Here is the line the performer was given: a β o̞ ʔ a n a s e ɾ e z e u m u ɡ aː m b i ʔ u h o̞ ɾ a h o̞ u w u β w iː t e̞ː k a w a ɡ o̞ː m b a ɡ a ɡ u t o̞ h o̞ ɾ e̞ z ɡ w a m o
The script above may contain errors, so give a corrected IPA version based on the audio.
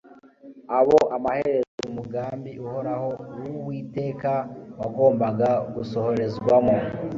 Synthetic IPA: a β o̞ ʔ a m a h e ɾ e z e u m u ɡ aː m b i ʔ u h o̞ ɾ a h o̞ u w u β w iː t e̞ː k a w a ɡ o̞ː m b a ɡ a ɡ u s o̞ h o̞ ɾ e̞ z ɡ w a m o